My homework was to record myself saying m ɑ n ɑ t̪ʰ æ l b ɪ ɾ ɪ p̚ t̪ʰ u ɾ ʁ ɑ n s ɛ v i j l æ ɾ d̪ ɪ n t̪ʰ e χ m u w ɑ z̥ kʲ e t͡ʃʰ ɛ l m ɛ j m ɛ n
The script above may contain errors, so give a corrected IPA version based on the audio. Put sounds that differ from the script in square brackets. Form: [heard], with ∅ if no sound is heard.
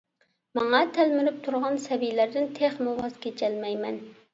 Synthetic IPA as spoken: m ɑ [ŋ] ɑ t̪ʰ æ l [m] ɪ ɾ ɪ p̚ t̪ʰ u ɾ ʁ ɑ n s ɛ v i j l æ ɾ d̪ ɪ n t̪ʰ e χ m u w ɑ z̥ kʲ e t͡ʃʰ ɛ l m ɛ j m ɛ n

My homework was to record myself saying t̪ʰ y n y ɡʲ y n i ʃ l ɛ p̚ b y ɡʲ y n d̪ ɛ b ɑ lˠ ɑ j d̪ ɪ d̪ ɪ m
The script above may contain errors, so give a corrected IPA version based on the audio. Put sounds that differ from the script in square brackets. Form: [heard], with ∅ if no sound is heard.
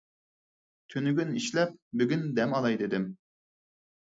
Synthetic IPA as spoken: t̪ʰ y n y ɡʲ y n i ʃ l ɛ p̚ b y ɡʲ y n d̪ ɛ [m] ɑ lˠ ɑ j d̪ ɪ d̪ ɪ m

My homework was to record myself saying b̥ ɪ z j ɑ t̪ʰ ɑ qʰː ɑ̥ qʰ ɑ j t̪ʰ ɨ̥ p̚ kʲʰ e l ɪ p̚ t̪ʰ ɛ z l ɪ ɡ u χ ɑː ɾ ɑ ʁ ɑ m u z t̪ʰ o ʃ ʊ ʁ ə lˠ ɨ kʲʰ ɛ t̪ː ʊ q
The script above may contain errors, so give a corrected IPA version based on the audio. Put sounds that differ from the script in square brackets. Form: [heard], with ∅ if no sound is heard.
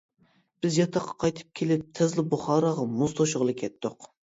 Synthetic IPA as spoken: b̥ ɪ z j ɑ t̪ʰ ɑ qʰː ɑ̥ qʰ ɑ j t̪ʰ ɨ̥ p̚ kʲʰ e l ɪ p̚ t̪ʰ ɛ z l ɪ [b] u χ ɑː ɾ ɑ ʁ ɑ m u z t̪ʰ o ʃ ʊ ʁ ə lˠ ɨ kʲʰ ɛ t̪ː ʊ q

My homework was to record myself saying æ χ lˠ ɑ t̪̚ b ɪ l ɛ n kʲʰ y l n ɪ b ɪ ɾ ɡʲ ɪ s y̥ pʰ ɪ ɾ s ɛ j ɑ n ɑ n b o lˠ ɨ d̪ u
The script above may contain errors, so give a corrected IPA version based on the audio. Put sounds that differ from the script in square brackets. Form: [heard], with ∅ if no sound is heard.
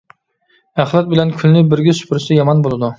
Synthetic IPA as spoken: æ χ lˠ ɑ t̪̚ b ɪ l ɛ n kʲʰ y l n ɪ b ɪ ɾ ɡʲ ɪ s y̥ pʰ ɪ ɾ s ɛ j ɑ [m] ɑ n b o lˠ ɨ d̪ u

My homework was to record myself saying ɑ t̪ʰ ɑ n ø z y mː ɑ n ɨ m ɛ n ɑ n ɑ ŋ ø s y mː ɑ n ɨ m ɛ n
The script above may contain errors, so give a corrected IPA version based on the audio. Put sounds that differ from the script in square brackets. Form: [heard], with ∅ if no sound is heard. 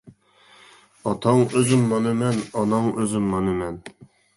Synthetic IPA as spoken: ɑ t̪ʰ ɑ [ŋ] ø z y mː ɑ n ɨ m ɛ n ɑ n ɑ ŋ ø [z] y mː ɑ n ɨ m ɛ n

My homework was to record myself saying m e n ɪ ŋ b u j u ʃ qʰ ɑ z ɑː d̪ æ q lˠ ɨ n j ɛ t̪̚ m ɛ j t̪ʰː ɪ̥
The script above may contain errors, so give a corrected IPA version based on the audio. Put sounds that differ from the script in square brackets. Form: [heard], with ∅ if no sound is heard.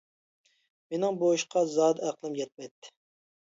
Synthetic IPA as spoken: m e n ɪ ŋ b [o] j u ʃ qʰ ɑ z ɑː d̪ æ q lˠ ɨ [m] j ɛ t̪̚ m ɛ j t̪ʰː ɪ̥

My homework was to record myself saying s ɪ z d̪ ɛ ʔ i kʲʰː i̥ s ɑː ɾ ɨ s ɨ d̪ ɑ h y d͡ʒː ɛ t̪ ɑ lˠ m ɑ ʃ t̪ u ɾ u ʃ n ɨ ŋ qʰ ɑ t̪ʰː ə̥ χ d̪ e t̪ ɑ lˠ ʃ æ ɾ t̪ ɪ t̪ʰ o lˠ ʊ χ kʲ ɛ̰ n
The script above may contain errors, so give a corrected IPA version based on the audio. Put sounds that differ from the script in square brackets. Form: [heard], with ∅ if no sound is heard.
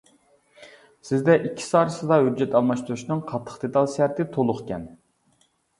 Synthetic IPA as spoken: s ɪ z d̪ ɛ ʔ i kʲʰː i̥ s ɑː ɾ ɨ s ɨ d̪ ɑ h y d͡ʒː ɛ t̪ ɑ lˠ m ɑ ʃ t̪ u ɾ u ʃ n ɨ ŋ qʰ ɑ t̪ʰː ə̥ χ d̪ e t̪ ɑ lˠ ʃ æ ɾ t̪ ɪ t̪ʰ o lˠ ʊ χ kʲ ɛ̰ n

